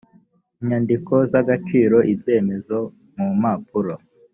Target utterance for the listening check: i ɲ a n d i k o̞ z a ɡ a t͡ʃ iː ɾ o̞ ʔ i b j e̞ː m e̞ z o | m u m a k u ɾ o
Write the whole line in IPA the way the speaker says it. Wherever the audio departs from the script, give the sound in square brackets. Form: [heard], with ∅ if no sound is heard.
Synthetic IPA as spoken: i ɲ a n d i k o̞ z a ɡ a t͡ʃ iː ɾ o̞ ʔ i b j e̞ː m e̞ z o | m u m a [p] u ɾ o